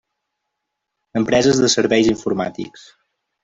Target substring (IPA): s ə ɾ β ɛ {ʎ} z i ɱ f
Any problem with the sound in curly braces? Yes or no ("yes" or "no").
yes